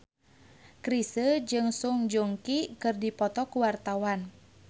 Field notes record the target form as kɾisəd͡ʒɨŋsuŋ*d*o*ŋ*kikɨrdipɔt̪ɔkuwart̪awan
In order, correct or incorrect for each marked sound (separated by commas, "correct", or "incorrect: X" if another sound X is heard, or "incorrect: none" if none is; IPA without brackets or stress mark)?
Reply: incorrect: d͡ʒ, correct